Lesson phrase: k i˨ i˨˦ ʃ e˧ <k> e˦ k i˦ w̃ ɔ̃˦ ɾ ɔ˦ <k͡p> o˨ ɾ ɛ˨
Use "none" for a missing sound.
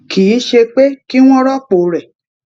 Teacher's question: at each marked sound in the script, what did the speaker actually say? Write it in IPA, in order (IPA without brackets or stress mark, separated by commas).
k͡p, k͡p